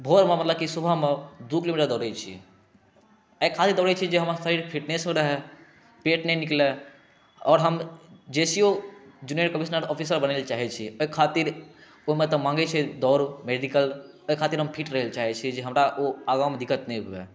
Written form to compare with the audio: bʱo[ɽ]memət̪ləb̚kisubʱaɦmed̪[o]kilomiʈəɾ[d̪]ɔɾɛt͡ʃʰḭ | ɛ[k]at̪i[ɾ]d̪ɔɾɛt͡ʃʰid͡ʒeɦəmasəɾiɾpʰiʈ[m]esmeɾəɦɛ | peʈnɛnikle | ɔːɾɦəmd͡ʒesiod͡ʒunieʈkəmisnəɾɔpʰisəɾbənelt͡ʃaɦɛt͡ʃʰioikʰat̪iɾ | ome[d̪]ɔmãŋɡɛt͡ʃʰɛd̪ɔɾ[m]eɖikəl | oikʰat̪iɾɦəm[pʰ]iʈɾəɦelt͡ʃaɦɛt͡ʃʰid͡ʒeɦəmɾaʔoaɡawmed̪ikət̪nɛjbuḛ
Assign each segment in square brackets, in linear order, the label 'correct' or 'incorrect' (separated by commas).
incorrect, incorrect, correct, incorrect, correct, incorrect, incorrect, correct, correct